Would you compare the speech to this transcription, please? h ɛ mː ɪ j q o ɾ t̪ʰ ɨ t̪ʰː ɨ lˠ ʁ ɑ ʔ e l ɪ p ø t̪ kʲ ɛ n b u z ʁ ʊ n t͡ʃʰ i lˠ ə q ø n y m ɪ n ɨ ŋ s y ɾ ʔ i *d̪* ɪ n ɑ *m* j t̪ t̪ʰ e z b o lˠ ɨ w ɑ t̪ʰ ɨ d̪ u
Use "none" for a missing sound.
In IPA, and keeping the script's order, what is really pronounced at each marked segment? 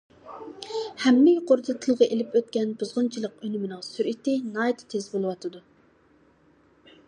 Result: t̪, none

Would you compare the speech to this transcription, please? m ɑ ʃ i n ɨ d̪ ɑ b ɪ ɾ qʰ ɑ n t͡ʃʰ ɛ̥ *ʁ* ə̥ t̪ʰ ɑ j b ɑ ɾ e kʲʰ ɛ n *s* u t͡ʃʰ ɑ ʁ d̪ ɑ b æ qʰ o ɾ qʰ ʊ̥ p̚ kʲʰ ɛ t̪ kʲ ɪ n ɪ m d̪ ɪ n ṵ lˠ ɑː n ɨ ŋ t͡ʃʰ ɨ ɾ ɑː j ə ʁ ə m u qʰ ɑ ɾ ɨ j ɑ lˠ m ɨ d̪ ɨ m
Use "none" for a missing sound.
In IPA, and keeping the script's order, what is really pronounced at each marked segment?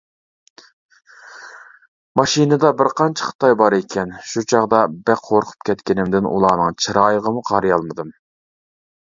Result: χ, ʃ

